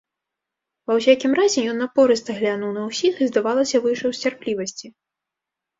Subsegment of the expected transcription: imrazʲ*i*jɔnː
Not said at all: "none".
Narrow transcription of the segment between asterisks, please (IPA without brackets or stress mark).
ɛ